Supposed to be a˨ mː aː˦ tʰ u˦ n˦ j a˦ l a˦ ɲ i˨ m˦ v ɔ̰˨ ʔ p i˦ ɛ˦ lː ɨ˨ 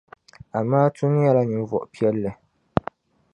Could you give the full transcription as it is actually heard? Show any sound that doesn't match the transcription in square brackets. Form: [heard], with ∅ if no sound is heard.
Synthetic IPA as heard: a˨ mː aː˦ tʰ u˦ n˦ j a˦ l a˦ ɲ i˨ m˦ v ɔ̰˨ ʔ p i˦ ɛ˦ lː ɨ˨